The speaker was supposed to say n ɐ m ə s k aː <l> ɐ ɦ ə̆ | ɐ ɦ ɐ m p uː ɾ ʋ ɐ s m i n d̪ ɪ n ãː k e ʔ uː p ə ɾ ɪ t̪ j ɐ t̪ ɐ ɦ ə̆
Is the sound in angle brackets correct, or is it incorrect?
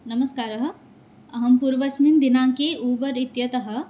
incorrect